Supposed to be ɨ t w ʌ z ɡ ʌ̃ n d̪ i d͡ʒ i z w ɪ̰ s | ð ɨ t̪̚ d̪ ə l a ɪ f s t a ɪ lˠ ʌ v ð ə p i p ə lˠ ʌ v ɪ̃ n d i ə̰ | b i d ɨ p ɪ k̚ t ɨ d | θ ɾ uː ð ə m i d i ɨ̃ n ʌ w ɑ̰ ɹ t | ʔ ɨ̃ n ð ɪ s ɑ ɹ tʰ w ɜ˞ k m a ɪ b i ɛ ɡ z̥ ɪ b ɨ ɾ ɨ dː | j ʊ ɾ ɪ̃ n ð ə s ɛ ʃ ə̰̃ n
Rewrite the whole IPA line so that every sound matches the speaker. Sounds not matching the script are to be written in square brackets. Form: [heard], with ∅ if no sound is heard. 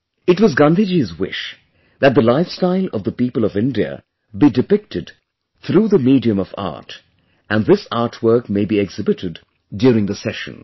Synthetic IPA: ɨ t w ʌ z ɡ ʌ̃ n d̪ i d͡ʒ i z w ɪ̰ [ʃ] | ð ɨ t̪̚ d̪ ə l a ɪ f s t a ɪ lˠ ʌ v ð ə p i p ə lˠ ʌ v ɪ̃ n d i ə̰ | b i d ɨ p ɪ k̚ t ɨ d | θ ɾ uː ð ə m i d i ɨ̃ [m] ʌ [v] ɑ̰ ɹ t | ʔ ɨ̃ n ð ɪ s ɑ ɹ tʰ w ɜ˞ k m [e] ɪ b i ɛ ɡ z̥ ɪ b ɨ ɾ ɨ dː | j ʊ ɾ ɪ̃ [ŋ] ð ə s ɛ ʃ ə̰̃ n